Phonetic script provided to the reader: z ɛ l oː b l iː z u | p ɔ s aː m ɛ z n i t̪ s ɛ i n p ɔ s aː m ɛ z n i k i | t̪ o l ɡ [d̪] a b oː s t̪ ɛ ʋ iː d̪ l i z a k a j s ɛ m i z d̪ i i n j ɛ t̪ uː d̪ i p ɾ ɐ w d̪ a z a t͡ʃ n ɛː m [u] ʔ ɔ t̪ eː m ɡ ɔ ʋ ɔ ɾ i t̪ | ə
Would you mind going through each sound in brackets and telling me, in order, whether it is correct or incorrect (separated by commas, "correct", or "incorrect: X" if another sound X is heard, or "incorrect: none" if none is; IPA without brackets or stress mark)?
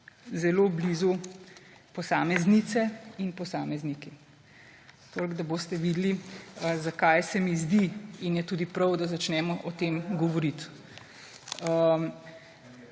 correct, incorrect: ɔ